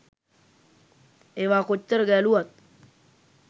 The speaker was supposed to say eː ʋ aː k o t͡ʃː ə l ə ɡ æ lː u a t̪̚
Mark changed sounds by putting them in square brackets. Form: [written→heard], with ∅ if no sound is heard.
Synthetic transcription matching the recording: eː ʋ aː k o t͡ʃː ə [l→ɾ] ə ɡ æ [lː→l] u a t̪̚